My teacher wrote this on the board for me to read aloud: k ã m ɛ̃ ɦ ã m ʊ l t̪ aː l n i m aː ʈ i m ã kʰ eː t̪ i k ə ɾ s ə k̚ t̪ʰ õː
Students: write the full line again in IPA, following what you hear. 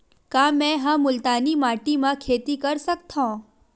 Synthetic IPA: k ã m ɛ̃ ɦ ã m ʊ l t̪ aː n i m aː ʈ i m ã kʰ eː t̪ i k ə ɾ s ə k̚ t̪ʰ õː